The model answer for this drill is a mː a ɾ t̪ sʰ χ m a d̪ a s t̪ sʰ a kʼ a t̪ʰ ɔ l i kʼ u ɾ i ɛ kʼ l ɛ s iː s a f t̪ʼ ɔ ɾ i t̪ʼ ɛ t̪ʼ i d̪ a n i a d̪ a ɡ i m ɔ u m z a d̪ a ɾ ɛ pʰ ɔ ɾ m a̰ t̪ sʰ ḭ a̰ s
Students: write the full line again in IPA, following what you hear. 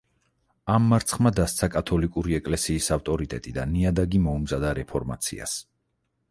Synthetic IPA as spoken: a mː a ɾ t̪ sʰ χ m a d̪ a s t̪ sʰ a kʼ a t̪ʰ ɔ l i kʼ u ɾ i ɛ kʼ l ɛ s iː s a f t̪ʼ ɔ ɾ i t̪ʼ ɛ t̪ʼ i d̪ a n i a d̪ a ɡ i m ɔ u m z a d̪ a ɾ ɛ pʰ ɔ ɾ m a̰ t̪ sʰ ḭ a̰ s